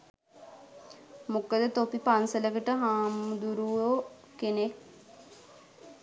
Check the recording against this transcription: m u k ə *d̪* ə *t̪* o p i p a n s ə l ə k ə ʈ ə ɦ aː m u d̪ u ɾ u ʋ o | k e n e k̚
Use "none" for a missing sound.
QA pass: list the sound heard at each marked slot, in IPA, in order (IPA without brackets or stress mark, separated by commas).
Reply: d̪, t̪